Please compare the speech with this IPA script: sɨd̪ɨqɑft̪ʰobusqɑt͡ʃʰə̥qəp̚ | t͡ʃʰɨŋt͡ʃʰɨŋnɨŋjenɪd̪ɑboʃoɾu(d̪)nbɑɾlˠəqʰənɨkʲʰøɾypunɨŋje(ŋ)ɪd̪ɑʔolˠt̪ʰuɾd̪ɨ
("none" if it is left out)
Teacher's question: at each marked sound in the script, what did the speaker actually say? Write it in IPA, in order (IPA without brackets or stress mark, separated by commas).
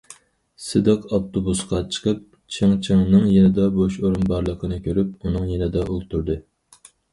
none, n